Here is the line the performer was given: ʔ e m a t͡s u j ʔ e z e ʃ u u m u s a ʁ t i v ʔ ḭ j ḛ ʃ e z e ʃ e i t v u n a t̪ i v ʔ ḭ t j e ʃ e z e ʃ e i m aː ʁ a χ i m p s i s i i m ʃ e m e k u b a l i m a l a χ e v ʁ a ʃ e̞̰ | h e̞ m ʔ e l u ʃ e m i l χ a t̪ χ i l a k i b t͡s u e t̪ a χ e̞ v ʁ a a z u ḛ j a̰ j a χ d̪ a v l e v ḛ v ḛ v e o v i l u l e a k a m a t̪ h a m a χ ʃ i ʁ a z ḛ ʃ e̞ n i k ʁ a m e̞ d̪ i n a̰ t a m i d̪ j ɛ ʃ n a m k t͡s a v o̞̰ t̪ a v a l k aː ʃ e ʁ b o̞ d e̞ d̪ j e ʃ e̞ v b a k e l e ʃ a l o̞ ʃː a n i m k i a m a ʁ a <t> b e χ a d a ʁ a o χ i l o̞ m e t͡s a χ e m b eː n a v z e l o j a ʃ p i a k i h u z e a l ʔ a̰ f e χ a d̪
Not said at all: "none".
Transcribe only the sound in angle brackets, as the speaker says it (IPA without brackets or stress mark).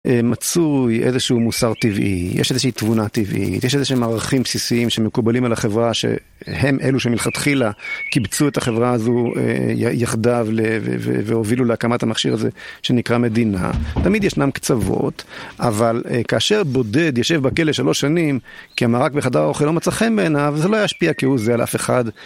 k